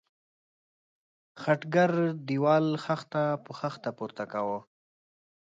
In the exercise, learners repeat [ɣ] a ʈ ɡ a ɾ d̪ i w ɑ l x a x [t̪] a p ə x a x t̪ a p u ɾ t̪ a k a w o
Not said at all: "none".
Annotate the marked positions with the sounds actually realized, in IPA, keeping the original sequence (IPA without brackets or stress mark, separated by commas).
x, t̪